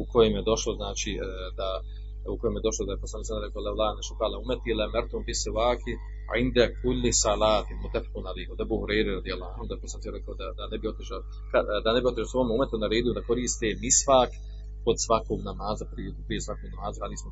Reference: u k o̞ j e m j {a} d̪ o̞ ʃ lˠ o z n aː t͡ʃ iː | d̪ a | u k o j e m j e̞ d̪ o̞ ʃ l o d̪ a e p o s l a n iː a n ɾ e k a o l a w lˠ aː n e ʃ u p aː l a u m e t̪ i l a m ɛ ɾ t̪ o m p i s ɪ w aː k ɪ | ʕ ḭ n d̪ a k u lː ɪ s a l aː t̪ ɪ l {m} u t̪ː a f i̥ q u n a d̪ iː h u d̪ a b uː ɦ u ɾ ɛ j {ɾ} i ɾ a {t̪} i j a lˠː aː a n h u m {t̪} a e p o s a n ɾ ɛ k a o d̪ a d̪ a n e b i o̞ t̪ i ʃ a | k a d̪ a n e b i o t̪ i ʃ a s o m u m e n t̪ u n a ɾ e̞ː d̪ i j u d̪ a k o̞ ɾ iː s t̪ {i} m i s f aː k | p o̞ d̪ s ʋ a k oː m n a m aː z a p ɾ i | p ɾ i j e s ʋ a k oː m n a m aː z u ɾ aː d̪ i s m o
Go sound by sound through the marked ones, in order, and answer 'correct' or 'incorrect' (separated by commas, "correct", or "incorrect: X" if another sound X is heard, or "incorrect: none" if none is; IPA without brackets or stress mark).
incorrect: e, correct, correct, incorrect: d̪, incorrect: d̪, incorrect: e